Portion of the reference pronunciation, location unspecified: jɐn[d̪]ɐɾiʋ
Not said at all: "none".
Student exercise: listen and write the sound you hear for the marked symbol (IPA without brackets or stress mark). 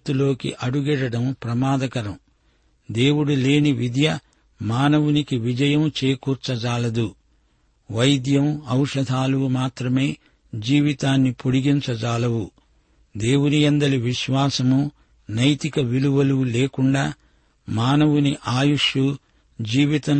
d̪